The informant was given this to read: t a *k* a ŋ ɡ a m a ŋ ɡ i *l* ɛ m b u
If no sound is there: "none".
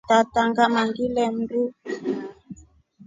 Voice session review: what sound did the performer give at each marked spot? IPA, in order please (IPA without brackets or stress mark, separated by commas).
t, l